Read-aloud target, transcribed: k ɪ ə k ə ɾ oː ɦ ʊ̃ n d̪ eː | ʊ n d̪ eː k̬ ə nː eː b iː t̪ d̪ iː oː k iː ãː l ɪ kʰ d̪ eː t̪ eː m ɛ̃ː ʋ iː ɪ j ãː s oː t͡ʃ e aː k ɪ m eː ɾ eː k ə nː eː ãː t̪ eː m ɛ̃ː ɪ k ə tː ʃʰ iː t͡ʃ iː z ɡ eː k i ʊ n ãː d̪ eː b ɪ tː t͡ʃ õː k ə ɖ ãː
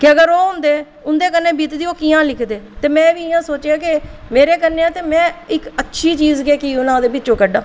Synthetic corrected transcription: k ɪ ə ɡ ə ɾ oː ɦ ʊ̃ n d̪ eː | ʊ n d̪ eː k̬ ə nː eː b iː t̪ d̪ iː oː k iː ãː l ɪ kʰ d̪ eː t̪ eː m ɛ̃ː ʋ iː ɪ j ãː s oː t͡ʃ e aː k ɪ m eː ɾ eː k ə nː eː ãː t̪ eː m ɛ̃ː ɪ k ə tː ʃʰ iː t͡ʃ iː z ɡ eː k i ʊ n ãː d̪ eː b ɪ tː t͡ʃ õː k ə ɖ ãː